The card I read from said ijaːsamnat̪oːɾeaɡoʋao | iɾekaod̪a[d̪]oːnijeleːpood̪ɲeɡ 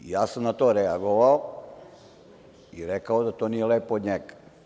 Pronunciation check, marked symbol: incorrect: t̪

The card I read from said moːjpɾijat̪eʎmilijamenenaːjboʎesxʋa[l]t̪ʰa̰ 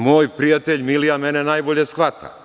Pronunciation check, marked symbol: incorrect: none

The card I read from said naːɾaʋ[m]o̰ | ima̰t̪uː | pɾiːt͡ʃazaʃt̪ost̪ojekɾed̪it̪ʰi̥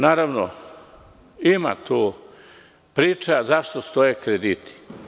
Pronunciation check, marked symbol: incorrect: n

